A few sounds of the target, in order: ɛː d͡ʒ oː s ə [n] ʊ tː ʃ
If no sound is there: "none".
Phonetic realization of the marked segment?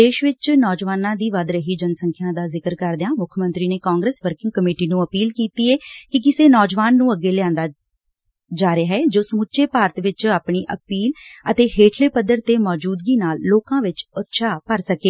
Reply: m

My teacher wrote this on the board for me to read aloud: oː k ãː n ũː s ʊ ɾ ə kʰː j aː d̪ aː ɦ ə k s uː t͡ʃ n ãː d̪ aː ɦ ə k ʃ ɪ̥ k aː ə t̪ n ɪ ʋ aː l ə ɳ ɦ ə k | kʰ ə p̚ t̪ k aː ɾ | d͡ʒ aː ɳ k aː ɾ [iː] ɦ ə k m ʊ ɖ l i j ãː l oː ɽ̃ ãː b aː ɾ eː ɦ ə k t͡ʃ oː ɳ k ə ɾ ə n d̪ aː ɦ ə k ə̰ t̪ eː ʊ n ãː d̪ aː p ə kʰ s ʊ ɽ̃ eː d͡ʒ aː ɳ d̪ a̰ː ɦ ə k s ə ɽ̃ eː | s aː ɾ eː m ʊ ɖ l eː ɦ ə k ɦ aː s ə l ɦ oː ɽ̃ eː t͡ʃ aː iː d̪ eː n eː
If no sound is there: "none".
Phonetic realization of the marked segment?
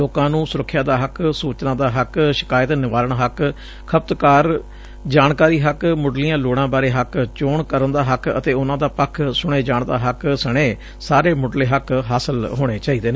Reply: iː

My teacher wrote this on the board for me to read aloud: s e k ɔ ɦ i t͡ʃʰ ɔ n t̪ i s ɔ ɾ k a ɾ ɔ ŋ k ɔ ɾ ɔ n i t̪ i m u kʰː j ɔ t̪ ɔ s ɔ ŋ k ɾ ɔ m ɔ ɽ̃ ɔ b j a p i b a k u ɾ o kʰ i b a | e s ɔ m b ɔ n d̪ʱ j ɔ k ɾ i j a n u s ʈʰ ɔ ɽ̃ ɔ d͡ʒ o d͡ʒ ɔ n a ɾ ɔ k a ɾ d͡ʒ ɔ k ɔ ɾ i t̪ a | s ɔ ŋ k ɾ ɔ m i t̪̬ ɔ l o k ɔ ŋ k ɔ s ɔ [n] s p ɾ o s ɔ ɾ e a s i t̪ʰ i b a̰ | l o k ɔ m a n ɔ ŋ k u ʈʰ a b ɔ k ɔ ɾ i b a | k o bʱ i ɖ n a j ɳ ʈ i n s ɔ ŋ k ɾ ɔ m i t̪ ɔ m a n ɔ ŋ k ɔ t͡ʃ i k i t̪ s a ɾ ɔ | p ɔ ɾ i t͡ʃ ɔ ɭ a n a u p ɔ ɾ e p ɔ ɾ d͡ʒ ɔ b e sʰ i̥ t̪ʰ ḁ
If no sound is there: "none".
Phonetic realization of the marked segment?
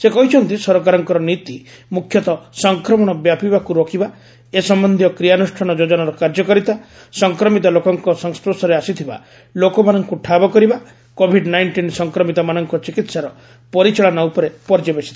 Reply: ŋ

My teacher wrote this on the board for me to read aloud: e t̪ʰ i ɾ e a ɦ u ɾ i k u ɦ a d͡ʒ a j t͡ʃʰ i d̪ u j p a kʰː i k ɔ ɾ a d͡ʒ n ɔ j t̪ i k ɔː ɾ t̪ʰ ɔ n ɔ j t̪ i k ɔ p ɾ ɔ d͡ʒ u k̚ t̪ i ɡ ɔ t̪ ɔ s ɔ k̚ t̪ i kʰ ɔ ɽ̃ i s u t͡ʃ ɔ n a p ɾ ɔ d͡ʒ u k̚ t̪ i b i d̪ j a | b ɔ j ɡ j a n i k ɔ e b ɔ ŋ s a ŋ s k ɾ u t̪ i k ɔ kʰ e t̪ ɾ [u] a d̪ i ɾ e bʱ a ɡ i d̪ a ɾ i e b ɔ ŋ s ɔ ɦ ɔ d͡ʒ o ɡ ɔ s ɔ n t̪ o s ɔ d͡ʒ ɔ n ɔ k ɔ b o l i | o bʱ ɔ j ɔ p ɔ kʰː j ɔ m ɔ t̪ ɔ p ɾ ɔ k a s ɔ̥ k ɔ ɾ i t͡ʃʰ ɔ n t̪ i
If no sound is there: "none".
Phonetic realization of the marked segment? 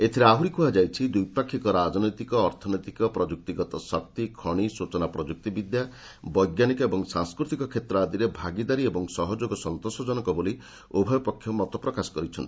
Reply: ɔ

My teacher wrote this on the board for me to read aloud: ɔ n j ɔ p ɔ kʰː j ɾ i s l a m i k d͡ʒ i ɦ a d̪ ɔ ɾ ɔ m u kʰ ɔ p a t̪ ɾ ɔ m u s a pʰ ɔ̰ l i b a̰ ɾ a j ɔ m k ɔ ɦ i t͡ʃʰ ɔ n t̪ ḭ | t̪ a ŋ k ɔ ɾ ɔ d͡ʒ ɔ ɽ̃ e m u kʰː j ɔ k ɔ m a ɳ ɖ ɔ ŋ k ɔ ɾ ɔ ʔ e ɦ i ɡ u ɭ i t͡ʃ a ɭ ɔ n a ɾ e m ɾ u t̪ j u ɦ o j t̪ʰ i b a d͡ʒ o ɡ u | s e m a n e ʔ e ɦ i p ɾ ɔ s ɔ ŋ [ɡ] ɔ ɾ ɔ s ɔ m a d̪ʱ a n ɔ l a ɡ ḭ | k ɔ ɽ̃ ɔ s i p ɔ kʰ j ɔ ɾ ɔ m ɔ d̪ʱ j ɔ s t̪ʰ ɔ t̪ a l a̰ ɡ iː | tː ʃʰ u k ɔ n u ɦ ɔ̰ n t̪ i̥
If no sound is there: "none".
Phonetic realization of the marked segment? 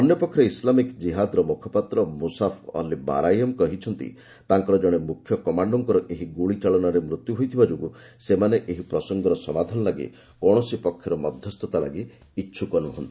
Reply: ɡ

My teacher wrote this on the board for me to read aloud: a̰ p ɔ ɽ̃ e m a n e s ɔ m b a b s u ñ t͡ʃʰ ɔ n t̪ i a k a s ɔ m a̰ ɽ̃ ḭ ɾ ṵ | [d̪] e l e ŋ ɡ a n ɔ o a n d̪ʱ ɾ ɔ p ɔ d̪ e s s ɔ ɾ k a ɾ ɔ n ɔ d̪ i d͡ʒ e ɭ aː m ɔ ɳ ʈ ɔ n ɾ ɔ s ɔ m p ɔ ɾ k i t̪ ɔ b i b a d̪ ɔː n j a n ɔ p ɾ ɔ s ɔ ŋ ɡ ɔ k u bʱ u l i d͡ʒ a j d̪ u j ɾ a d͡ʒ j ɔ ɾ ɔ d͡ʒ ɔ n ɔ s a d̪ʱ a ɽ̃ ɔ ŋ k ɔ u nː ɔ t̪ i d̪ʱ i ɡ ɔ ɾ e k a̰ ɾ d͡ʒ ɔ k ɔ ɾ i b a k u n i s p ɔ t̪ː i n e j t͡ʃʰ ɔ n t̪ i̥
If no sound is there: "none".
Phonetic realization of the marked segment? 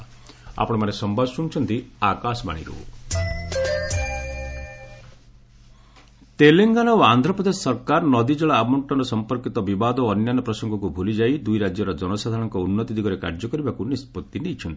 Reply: t̪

